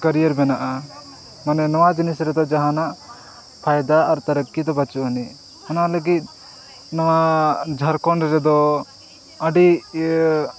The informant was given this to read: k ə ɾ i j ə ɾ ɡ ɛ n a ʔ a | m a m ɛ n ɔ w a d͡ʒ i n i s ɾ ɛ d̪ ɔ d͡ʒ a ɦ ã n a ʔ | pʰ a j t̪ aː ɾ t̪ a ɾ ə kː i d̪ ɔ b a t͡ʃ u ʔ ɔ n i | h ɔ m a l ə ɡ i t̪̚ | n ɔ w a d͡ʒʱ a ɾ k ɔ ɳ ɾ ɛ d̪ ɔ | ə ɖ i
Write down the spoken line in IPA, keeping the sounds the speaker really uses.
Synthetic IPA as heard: k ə ɾ i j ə ɾ b ɛ n a ʔ a | m a n ɛ n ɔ w a d͡ʒ i n i s ɾ ɛ d̪ ɔ d͡ʒ a ɦ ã n a ʔ | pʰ a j d̪ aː ɾ t̪ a ɾ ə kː i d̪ ɔ b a t͡ʃ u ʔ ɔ n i | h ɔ n a l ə ɡ i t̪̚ | n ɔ w a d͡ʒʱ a ɾ k ɔ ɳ ɾ ɛ d̪ ɔ | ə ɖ i